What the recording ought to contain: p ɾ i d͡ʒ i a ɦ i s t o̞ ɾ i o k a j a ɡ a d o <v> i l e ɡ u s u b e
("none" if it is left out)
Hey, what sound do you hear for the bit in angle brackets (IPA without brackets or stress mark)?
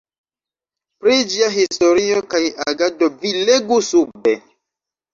v